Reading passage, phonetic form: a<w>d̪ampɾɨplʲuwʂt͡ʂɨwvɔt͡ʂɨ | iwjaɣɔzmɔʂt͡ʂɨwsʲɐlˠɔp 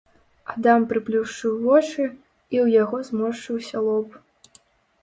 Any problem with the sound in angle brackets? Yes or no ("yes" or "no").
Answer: yes